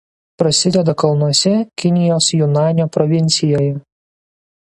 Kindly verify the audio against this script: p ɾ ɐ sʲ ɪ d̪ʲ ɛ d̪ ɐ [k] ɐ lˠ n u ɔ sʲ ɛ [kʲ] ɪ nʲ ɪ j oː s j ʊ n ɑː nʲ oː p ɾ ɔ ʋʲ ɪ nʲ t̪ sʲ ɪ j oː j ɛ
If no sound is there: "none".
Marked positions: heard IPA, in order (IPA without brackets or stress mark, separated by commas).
k, kʲ